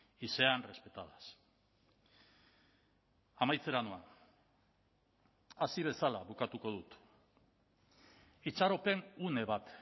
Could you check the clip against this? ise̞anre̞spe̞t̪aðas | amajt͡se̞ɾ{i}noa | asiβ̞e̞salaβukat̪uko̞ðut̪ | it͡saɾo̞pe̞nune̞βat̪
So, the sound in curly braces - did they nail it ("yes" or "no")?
no